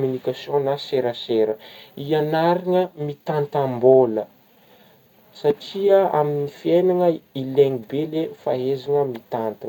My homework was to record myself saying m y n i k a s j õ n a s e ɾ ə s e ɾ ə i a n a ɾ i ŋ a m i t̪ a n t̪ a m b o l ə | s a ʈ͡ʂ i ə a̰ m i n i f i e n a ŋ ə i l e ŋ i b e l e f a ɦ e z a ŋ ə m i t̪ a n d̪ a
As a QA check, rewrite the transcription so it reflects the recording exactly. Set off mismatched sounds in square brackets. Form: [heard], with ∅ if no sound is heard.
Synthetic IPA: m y n i k a s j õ n a s e ɾ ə s e ɾ ə i a n a ɾ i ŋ [ə] m i t̪ a n t̪ a m b o l ə | s a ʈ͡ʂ i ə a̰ m i n i f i e n a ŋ ə i l e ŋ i b e l e f a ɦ e z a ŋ ə m i t̪ a n [t̪] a